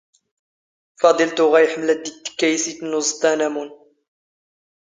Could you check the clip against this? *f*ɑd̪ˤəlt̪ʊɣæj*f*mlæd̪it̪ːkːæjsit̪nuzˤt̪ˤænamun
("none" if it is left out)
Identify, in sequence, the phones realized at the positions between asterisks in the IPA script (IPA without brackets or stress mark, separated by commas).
f, ħ